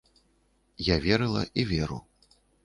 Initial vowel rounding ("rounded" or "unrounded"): unrounded